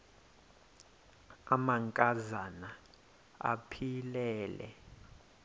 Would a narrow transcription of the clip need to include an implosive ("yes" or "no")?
no